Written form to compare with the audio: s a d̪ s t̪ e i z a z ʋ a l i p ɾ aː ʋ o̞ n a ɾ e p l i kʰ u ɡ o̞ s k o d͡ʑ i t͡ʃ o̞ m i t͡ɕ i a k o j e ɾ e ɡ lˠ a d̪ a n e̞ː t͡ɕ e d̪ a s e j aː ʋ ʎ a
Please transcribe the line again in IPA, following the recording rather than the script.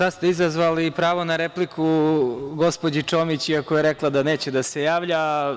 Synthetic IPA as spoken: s a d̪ s t̪ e i z a z ʋ a l i p ɾ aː ʋ o̞ n a ɾ e p l i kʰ u ɡ o̞ s p o d͡ʑ i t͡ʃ o̞ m i t͡ɕ i a k o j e ɾ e k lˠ a d̪ a n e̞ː t͡ɕ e d̪ a s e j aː ʋ ʎ a

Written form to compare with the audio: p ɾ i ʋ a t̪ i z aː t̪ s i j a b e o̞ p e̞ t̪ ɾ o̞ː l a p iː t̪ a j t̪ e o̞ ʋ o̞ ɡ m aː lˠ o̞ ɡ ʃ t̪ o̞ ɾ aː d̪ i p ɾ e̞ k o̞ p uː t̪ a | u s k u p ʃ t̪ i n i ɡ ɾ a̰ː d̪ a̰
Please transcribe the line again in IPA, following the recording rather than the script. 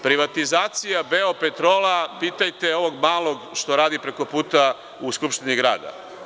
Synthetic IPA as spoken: p ɾ i ʋ a t̪ i z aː t̪ s i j a b e o̞ p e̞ t̪ ɾ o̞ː l a p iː t̪ a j t̪ e o̞ ʋ o̞ ɡ m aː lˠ o̞ ɡ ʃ t̪ o̞ ɾ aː d̪ i p ɾ e̞ k o̞ p uː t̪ a | u s k u p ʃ t̪ i n i ɡ ɾ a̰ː d̪ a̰

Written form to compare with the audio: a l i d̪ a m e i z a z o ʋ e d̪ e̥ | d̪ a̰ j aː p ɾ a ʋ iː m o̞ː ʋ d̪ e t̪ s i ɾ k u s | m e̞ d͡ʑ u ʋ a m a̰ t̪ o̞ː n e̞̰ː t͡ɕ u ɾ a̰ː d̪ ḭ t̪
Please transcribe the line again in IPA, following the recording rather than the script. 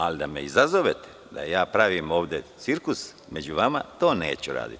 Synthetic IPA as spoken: a l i d̪ a m e i z a z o ʋ e t̪ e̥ | d̪ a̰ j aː p ɾ a ʋ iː m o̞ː ʋ d̪ e t̪ s i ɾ k u s | m e̞ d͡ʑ u ʋ a m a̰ t̪ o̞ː n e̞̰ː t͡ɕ u ɾ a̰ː d̪ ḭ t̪

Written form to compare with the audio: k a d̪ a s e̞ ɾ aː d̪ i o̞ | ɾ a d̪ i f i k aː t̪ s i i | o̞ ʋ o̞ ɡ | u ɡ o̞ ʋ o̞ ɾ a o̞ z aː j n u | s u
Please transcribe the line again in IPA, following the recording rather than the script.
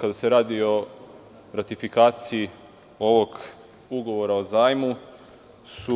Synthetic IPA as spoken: k a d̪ a s e̞ ɾ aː d̪ i o̞ | ɾ a t̪ i f i k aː t̪ s i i | o̞ ʋ o̞ ɡ | u ɡ o̞ ʋ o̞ ɾ a o̞ z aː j m u | s u

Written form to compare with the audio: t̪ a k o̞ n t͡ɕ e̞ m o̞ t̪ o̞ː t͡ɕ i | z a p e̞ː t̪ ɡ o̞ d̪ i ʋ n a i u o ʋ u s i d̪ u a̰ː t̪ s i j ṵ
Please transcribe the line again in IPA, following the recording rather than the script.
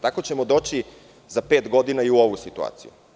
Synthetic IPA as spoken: t̪ a k o̞ t͡ɕ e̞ m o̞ d̪ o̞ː t͡ɕ i | z a p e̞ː t̪ ɡ o̞ d̪ i n a i u o ʋ u s i t̪ u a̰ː t̪ s i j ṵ

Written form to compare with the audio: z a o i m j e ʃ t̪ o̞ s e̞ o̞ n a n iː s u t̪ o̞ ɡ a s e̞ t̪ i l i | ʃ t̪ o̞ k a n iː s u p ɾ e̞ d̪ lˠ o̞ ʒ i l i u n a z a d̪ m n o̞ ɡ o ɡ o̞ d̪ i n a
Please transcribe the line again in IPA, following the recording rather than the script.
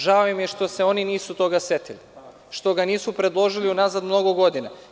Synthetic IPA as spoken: ʒ a o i m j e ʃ t̪ o̞ s e̞ o̞ n i n iː s u t̪ o̞ ɡ a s e̞ t̪ i l i | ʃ t̪ o̞ ɡ a n iː s u p ɾ e̞ d̪ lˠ o̞ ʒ i l i u n a z a d̪ m n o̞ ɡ o ɡ o̞ d̪ i n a

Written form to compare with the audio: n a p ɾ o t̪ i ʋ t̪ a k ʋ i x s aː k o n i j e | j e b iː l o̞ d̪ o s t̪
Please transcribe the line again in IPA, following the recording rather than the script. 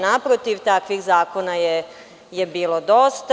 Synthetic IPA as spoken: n a p ɾ o t̪ i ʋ t̪ a k ʋ i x z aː k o n a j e | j e b iː l o̞ d̪ o s t̪

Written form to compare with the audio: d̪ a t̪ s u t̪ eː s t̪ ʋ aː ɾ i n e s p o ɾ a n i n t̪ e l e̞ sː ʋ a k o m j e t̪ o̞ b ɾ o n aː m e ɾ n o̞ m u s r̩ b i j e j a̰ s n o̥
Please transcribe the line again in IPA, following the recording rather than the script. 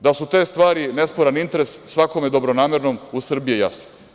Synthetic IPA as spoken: d̪ a s u t̪ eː s t̪ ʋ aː ɾ i n e s p o ɾ a n i n t̪ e ɾ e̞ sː ʋ a k o m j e d̪ o̞ b ɾ o n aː m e ɾ n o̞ m u s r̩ b i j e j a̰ s n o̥

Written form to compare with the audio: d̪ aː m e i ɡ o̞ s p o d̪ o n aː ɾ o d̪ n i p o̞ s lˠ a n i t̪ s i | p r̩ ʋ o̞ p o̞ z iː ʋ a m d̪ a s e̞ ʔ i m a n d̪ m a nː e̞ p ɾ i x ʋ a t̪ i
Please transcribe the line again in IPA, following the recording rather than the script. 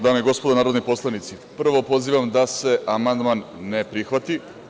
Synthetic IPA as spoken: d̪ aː m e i ɡ o̞ s p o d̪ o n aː ɾ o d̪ n i p o̞ s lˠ a n i t̪ s i | p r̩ ʋ o̞ p o̞ z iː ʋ a m d̪ a s e̞ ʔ a m a n d̪ m a nː e̞ p ɾ i x ʋ a t̪ i

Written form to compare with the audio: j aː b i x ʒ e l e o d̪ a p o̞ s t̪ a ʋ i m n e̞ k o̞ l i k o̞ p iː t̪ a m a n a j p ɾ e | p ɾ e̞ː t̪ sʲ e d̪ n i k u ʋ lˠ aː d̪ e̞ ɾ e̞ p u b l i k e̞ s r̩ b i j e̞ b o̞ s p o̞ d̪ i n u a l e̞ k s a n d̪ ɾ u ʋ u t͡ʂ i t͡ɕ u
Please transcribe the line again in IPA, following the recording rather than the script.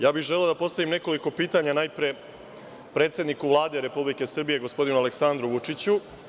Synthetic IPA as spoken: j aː b i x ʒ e l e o d̪ a p o̞ s t̪ a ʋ i m n e̞ k o̞ l i k o̞ p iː t̪ a ɲ a n a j p ɾ e | p ɾ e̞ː t̪ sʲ e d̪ n i k u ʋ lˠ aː d̪ e̞ ɾ e̞ p u b l i k e̞ s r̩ b i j e̞ ɡ o̞ s p o̞ d̪ i n u a l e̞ k s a n d̪ ɾ u ʋ u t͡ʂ i t͡ɕ u

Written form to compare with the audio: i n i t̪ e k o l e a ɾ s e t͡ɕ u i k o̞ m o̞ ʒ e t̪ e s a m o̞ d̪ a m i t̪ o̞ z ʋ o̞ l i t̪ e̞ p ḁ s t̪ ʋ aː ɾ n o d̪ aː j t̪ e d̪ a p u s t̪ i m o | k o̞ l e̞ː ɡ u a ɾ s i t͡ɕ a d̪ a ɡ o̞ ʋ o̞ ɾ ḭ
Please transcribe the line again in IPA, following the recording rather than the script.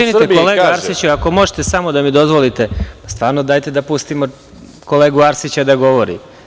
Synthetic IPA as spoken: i n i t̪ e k o l e a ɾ s i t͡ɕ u a k o̞ m o̞ ʒ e t̪ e s a m o̞ d̪ a m i d̪ o̞ z ʋ o̞ l i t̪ e̞ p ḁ s t̪ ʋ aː ɾ n o d̪ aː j t̪ e d̪ a p u s t̪ i m o | k o̞ l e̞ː ɡ u a ɾ s i t͡ɕ a d̪ a ɡ o̞ ʋ o̞ ɾ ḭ

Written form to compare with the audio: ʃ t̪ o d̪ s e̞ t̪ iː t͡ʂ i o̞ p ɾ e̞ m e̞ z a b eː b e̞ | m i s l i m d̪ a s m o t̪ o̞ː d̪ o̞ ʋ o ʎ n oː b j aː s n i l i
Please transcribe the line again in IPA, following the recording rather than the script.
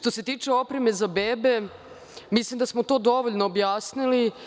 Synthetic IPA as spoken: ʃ t̪ o s e̞ t̪ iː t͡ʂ e o̞ p ɾ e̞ m e̞ z a b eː b e̞ | m i s l i m d̪ a s m o t̪ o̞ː d̪ o̞ ʋ o ʎ n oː b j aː s n i l i

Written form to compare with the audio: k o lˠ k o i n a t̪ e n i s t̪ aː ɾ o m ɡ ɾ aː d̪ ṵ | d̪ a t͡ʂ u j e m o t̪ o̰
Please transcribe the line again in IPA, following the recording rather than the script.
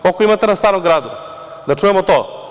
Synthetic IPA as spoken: k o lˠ k o i m a t̪ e n a s t̪ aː ɾ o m ɡ ɾ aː d̪ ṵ | d̪ a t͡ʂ u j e m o t̪ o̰

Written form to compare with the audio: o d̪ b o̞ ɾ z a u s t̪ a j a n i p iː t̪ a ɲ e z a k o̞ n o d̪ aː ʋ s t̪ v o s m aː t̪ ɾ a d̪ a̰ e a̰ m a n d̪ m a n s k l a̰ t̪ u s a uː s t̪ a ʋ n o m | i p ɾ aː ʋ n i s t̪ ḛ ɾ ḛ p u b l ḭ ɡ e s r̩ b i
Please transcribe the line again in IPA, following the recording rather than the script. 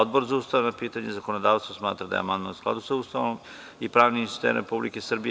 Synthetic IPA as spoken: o d̪ b o̞ ɾ z a u s t̪ a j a n a p iː t̪ a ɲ e z a k o̞ n o d̪ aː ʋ s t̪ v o s m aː t̪ ɾ a d̪ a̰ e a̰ m a n d̪ m a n s k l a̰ d̪ u s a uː s t̪ a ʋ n o m | i p ɾ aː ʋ n i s t̪ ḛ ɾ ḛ p u b l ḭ k e s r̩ b i

